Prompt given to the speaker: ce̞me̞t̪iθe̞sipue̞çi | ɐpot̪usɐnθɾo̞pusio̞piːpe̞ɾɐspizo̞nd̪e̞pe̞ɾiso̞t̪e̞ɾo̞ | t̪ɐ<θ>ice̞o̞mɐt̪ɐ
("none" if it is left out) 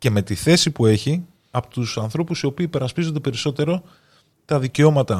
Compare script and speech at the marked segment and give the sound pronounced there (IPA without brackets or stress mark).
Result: ð